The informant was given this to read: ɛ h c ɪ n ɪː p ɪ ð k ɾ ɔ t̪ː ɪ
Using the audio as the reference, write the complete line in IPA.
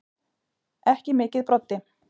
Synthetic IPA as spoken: ɛ h c ɪ m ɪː c ɪ ð p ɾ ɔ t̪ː ɪ

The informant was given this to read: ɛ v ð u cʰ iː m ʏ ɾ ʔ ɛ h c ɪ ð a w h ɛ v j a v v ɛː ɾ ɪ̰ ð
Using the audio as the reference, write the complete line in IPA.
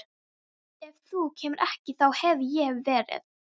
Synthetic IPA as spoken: ɛ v θ u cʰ ɛː m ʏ ɾ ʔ ɛ h c ɪ θ a w h ɛ v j ɛ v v ɛː ɾ ɪ̰ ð

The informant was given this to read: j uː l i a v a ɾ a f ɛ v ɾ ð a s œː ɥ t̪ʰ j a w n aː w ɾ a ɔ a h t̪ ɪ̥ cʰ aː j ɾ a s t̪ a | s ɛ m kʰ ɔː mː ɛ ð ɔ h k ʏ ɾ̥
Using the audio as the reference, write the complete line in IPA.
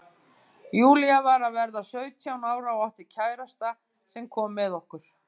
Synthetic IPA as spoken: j uː l i a v a ɾ a v ɛ ɾ ð a s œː ɥ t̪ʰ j a w n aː w ɾ a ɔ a h t̪ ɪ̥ cʰ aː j ɾ a s t̪ a | s ɛ m kʰ ɔː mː ɛ ð ɔ h k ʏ ɾ̥

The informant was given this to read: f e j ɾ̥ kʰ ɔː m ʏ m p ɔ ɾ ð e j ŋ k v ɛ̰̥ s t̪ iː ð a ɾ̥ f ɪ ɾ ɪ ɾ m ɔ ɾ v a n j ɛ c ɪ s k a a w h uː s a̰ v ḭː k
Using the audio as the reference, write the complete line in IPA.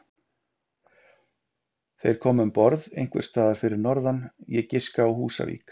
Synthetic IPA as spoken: θ e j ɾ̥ kʰ ɔː m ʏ m p ɔ ɾ ð e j ŋ k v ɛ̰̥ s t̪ aː ð a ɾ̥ f ɪ ɾ ɪ ɾ n ɔ ɾ ð a n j ɛ c ɪ s k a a w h uː s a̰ v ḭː k

